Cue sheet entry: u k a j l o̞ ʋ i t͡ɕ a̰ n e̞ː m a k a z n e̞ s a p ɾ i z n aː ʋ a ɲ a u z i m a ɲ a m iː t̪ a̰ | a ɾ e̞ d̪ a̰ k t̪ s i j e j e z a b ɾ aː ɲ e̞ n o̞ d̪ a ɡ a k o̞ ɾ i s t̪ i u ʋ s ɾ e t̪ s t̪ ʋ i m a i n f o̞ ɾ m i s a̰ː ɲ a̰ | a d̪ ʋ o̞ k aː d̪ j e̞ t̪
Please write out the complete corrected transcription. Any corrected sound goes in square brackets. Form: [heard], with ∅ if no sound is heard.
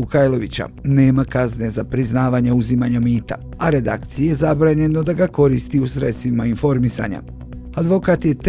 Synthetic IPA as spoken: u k a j l o̞ ʋ i t͡ɕ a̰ n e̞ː m a k a z n e̞ [z] a p ɾ i z n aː ʋ a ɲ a u z i m a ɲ a m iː t̪ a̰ | a ɾ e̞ d̪ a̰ k t̪ s i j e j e z a b ɾ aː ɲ e̞ n o̞ d̪ a ɡ a k o̞ ɾ i s t̪ i u [∅] s ɾ e t̪ s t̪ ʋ i m a i n f o̞ ɾ m i s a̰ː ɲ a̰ | a d̪ ʋ o̞ k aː [t̪] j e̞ t̪